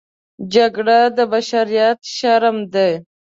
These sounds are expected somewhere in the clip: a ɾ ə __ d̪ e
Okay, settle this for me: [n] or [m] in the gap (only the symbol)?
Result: m